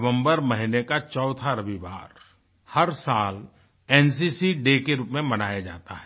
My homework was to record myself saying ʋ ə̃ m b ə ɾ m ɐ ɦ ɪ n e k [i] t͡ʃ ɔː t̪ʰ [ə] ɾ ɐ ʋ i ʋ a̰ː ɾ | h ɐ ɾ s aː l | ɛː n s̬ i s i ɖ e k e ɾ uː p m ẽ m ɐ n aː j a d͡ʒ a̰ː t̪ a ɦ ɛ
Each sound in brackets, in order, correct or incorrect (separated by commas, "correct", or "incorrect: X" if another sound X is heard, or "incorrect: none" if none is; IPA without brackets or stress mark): incorrect: a, incorrect: a